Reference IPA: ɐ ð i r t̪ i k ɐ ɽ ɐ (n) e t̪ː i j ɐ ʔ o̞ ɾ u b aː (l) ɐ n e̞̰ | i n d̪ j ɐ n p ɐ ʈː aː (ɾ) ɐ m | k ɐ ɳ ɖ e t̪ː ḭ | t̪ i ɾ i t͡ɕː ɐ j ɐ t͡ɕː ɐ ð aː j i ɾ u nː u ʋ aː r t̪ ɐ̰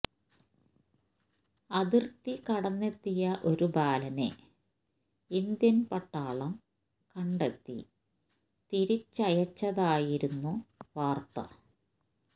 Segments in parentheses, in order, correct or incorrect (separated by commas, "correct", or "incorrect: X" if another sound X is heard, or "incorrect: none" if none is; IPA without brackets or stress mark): incorrect: nː, correct, incorrect: ɭ